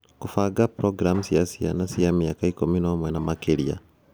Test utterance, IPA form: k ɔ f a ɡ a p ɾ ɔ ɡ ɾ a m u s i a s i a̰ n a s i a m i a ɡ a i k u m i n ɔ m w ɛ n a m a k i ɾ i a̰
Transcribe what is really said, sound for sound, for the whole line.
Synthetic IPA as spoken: k u f a ɡ a p ɾ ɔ ɡ ɾ a m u s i a s i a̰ n a s i a m i a k a i k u m i n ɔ m w ɛ n a m a k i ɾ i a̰